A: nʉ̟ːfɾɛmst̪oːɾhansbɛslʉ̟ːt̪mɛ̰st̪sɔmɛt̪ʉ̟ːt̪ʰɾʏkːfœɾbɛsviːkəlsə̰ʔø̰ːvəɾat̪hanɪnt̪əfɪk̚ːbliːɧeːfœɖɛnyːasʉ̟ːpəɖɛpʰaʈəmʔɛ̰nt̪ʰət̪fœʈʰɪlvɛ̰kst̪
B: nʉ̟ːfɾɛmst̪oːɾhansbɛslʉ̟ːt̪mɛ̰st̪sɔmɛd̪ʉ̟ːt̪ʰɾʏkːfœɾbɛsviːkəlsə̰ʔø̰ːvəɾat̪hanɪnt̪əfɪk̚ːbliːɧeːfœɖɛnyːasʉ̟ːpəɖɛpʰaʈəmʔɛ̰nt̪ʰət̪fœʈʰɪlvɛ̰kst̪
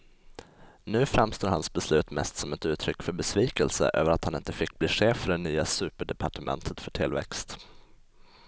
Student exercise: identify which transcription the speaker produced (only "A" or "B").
A